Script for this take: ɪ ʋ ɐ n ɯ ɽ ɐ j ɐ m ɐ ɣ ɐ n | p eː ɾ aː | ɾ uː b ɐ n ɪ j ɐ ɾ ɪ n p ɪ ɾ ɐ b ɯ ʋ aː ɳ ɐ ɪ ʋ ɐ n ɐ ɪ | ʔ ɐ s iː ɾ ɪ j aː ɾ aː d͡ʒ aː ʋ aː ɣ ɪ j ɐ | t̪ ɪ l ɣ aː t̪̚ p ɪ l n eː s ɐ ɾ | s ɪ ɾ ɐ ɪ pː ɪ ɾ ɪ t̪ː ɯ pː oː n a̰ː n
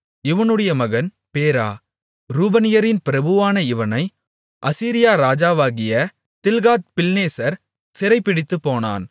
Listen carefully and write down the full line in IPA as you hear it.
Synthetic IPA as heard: ɪ ʋ ɐ n ɯ ɽ ɐ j ɐ m ɐ ɣ ɐ n | p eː ɾ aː | ɾ uː b ɐ n ɪ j ɐ ɾ ɪ n p ɪ ɾ ɐ b ɯ ʋ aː n ɐ ɪ ʋ ɐ n ɐ ɪ | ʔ ɐ s iː ɾ ɪ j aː ɾ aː d͡ʒ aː ʋ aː ɣ ɪ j ɐ | t̪ ɪ l ɣ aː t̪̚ p ɪ l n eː s ɐ ɾ | s ɪ ɾ ɐ ɪ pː ɪ ɽ ɪ t̪ː ɯ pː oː n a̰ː n